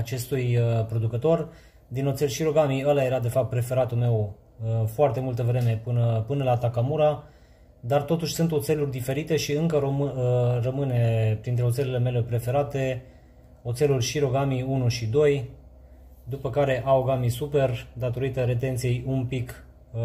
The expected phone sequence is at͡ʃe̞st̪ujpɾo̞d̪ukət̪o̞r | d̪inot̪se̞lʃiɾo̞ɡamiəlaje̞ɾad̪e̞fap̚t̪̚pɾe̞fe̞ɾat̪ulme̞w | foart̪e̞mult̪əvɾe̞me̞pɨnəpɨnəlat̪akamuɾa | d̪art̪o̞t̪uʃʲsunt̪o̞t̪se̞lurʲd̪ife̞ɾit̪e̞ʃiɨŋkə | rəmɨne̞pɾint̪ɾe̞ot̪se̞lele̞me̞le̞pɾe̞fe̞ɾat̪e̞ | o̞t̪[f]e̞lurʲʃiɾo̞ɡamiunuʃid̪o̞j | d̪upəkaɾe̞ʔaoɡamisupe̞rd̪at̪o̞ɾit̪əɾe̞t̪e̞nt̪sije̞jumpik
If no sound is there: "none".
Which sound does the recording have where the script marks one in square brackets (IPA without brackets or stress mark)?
s